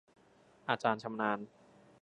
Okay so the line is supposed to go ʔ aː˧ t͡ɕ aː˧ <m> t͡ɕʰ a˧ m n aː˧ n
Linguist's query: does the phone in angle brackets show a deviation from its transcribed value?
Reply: yes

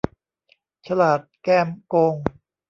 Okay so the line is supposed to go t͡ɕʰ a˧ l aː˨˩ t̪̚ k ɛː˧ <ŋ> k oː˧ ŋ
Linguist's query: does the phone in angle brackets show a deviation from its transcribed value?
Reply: yes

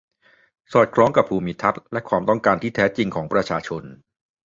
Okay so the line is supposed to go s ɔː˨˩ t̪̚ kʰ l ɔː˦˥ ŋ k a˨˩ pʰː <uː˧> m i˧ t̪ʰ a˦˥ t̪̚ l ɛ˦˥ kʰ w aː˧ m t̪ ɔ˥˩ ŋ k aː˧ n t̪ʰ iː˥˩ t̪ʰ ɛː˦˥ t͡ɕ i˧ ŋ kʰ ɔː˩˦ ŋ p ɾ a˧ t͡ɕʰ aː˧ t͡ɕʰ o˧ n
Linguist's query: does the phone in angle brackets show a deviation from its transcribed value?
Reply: no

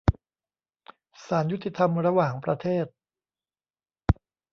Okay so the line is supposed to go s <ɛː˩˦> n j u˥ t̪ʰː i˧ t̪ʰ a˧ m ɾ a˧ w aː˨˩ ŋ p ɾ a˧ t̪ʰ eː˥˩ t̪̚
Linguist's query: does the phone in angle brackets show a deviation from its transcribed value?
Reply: yes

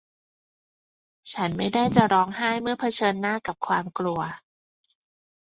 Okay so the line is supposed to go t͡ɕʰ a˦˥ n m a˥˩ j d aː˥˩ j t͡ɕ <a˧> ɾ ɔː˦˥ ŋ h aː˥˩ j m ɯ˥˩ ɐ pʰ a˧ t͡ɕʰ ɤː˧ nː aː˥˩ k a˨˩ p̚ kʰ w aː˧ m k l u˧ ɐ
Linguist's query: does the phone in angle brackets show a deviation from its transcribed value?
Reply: yes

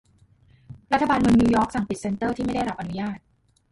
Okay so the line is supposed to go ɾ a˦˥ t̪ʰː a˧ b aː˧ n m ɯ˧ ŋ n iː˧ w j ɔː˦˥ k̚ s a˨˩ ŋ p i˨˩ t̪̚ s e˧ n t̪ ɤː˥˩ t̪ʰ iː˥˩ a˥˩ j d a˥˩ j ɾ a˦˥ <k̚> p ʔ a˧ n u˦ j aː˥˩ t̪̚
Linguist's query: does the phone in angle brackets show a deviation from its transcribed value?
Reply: yes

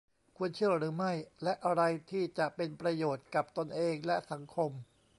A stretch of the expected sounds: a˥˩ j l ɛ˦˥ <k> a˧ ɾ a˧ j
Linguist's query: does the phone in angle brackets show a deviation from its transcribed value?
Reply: yes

